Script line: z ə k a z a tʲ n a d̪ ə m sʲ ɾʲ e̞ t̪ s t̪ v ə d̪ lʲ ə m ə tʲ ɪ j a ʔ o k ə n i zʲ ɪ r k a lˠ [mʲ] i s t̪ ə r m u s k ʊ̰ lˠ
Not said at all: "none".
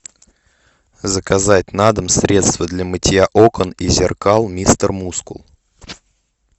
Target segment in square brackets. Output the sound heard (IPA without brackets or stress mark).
mʲ